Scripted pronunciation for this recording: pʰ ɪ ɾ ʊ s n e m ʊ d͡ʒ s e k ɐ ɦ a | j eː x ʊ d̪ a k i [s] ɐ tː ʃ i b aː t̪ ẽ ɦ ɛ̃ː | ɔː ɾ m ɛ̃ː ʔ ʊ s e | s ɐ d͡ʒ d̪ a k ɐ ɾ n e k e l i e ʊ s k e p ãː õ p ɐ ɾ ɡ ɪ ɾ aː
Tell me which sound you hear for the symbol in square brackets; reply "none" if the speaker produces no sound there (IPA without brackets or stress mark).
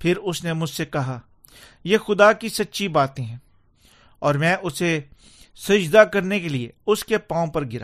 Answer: s